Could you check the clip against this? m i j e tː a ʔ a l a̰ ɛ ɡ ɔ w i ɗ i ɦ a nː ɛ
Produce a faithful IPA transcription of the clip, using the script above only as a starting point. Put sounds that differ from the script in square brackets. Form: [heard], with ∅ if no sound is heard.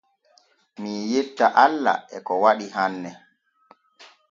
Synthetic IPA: m i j e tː a ʔ a [lː] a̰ ɛ [k] ɔ w [a] ɗ i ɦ a nː ɛ